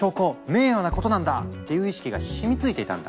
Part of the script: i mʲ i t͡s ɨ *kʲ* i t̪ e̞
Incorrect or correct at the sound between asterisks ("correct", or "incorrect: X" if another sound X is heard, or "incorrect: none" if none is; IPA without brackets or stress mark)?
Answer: incorrect: none